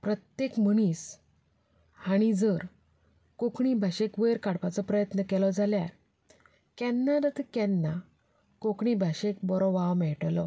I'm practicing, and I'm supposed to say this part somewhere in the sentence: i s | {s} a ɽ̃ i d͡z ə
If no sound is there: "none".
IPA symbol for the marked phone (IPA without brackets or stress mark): h